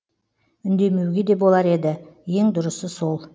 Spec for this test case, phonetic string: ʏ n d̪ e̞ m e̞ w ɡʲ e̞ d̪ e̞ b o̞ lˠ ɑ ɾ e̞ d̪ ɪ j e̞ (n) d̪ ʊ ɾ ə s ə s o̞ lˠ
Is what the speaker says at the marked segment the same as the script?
no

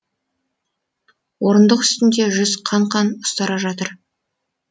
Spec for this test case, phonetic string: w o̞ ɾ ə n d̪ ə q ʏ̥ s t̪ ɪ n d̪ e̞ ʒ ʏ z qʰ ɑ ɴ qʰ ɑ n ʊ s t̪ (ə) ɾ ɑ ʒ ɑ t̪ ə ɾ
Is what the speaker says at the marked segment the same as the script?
no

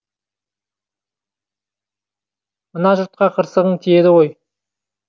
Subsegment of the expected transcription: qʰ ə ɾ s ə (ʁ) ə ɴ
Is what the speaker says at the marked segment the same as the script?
yes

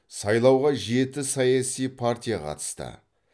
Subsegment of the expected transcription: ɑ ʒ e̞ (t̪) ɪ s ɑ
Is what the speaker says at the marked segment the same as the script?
yes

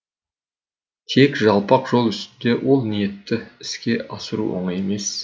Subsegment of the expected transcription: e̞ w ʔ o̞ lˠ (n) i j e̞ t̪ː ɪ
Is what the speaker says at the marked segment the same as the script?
yes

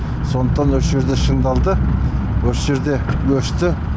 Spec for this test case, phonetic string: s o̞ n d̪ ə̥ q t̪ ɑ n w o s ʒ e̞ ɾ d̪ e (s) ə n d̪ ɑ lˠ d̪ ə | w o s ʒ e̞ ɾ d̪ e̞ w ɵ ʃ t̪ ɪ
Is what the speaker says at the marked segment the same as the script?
no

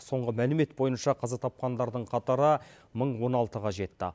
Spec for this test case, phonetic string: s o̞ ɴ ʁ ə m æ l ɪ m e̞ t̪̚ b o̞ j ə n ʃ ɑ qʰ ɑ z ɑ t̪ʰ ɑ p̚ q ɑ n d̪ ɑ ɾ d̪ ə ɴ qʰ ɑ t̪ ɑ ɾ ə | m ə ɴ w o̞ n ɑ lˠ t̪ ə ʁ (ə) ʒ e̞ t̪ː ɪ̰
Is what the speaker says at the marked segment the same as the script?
no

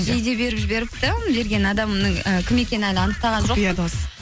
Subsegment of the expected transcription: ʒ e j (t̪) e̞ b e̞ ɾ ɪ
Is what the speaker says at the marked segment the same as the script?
no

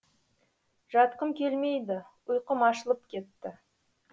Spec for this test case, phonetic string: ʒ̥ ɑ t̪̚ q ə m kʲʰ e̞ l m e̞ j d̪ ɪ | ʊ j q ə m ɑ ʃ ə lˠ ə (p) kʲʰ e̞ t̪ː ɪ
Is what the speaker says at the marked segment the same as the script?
yes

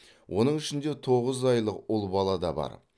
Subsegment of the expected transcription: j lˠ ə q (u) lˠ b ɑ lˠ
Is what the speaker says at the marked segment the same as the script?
no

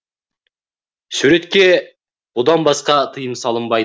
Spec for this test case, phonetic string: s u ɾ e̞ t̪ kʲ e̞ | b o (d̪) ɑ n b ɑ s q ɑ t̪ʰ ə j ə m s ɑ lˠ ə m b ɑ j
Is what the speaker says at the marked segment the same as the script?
yes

